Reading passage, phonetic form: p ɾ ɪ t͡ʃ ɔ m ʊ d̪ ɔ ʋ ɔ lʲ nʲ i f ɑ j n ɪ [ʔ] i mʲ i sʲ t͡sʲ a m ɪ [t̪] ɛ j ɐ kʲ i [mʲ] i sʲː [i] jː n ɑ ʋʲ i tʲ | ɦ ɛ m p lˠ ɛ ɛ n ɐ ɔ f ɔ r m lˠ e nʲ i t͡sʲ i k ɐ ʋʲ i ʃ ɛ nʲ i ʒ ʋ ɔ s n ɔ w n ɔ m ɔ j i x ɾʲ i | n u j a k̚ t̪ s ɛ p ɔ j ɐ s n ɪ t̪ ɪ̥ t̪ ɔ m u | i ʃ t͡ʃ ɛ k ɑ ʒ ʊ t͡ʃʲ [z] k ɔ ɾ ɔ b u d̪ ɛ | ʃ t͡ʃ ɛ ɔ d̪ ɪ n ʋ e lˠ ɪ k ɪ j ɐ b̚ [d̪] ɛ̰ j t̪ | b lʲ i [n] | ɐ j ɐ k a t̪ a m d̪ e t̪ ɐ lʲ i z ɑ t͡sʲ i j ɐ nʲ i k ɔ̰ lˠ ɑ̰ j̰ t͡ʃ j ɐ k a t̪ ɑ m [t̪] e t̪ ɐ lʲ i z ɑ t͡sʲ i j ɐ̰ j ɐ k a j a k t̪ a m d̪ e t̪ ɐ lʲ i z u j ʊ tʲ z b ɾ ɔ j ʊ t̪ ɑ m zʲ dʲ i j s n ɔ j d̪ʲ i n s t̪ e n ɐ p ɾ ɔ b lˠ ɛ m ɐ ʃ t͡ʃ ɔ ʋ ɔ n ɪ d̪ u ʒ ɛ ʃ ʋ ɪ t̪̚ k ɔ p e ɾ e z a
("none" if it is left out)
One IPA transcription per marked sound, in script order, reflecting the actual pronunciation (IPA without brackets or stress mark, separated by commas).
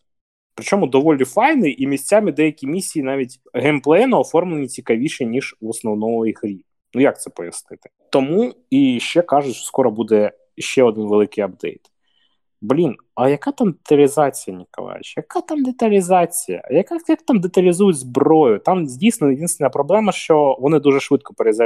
ʔ, d̪, mʲ, i, s, d̪, n, d̪